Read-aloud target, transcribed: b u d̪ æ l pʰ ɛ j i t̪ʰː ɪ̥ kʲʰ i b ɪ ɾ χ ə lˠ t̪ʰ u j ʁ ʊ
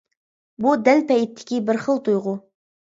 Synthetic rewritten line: b u d̪ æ l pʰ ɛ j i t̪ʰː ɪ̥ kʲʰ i b ɪ ɾ χ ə lˠ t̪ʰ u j ʁ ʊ